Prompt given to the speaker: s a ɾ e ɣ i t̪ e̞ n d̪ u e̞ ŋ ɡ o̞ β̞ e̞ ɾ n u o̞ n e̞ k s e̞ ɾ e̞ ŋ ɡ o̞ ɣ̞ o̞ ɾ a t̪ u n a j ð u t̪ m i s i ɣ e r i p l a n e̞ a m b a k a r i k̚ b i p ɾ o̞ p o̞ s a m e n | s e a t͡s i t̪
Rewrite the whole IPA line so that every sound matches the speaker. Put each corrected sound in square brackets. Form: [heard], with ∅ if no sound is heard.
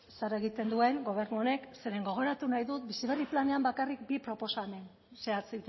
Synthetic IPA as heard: s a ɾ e ɣ i t̪ e̞ n d̪ u e̞ ŋ ɡ o̞ β̞ e̞ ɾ n u o̞ n e̞ k s e̞ ɾ e̞ ŋ ɡ o̞ ɣ̞ o̞ ɾ a t̪ u n a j ð u t̪ [b] i s i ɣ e r i p l a n e̞ a m b a k a r i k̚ b i p ɾ o̞ p o̞ s a m e n | s e a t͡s i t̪